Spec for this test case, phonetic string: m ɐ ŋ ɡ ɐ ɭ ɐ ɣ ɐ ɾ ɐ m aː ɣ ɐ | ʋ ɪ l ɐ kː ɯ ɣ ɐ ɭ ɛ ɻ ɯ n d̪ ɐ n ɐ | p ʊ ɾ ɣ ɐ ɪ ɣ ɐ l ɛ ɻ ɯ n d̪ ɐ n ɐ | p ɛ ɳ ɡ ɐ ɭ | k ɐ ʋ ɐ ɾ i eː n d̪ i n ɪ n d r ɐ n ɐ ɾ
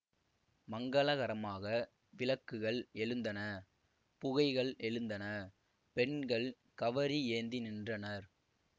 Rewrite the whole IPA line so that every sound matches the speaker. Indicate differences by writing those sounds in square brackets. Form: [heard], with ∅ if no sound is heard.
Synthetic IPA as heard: m ɐ ŋ ɡ ɐ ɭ ɐ ɣ ɐ ɾ ɐ m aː ɣ ɐ | ʋ ɪ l ɐ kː ɯ ɣ ɐ ɭ ɛ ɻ ɯ n d̪ ɐ n ɐ | p ʊ [∅] ɣ ɐ ɪ ɣ ɐ [ɭ] ɛ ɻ ɯ n d̪ ɐ n ɐ | p ɛ ɳ ɡ ɐ ɭ | k ɐ ʋ ɐ ɾ i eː n d̪ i n ɪ n d r ɐ n ɐ ɾ